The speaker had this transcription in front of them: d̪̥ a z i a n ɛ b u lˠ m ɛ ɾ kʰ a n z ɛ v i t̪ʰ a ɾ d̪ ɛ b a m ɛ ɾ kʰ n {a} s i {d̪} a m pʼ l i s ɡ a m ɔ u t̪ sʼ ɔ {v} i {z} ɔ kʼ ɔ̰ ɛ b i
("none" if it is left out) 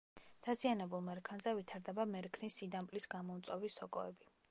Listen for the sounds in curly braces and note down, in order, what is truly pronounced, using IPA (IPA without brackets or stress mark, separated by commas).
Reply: i, d̪, v, s